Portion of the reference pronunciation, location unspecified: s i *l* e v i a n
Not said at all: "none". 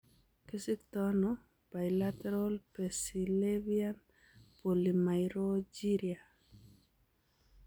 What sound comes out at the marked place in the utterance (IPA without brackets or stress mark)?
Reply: l